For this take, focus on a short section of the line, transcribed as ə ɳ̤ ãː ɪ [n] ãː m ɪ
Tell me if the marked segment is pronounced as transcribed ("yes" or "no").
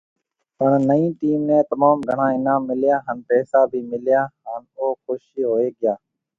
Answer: yes